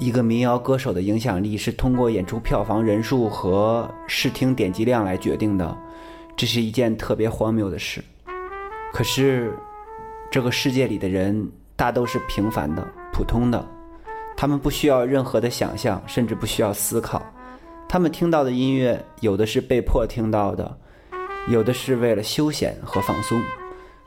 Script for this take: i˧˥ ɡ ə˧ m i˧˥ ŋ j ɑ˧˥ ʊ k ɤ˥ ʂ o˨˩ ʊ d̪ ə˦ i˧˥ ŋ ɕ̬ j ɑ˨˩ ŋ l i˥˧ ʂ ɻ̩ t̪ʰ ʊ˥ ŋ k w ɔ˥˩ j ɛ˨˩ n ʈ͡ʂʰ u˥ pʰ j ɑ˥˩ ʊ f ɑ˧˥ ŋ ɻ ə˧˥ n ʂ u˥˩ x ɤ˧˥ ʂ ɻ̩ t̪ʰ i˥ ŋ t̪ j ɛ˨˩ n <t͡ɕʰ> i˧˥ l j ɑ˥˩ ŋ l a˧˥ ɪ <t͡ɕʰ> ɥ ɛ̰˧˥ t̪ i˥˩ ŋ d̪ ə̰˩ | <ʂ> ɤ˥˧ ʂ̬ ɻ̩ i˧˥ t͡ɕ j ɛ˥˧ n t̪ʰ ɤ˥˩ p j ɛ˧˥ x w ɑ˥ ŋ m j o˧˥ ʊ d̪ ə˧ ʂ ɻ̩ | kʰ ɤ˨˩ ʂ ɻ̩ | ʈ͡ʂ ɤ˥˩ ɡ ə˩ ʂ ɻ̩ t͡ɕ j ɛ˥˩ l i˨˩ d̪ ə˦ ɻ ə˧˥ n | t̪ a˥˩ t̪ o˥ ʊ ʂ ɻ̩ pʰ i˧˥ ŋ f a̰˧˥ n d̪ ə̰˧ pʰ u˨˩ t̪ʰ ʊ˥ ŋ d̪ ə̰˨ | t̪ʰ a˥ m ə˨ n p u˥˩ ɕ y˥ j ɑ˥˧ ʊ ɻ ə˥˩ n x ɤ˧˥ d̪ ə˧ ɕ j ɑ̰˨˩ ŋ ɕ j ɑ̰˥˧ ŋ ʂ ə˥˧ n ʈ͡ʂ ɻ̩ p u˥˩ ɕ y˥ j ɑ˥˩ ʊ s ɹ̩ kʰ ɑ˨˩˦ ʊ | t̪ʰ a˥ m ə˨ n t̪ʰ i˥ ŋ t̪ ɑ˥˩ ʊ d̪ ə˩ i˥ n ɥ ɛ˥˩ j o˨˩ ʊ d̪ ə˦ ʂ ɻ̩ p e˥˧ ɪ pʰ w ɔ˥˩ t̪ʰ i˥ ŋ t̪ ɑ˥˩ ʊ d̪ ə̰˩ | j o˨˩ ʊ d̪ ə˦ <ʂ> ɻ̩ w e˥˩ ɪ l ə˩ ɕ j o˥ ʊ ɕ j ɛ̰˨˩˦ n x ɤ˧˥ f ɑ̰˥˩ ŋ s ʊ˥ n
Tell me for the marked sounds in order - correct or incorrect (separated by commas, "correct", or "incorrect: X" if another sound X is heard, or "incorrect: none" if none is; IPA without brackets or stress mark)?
incorrect: t͡ɕ, incorrect: t͡ɕ, incorrect: ʈ͡ʂ, correct